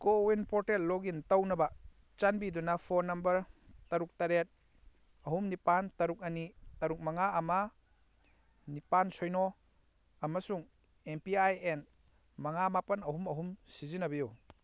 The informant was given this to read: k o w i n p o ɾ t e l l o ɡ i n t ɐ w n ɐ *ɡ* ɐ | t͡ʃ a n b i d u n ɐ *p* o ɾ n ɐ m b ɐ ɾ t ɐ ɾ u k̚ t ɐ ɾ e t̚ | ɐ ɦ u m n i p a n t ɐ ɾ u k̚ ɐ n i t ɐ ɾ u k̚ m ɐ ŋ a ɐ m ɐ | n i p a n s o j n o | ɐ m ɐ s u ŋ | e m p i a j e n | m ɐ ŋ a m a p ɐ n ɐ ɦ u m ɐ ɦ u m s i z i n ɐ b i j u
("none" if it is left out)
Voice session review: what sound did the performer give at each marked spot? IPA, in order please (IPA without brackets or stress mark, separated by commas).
b, pʰ